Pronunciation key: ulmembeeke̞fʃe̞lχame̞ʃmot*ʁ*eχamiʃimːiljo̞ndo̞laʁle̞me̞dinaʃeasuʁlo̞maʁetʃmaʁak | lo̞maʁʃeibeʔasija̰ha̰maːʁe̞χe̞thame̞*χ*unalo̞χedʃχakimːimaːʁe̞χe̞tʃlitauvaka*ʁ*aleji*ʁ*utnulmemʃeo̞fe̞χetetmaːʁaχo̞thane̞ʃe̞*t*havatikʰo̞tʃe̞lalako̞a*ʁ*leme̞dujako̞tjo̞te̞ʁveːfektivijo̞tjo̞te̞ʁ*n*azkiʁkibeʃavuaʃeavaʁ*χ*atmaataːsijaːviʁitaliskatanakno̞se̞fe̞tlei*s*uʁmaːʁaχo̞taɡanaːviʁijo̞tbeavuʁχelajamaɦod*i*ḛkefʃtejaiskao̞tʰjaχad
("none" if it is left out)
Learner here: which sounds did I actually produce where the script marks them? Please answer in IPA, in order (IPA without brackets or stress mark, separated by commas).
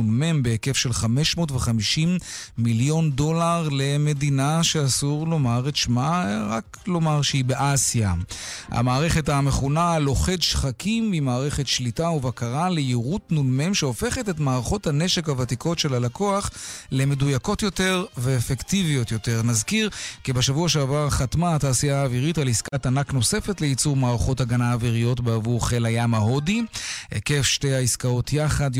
v, χ, ʁ, ʁ, k, χ, n, χ, t͡s, i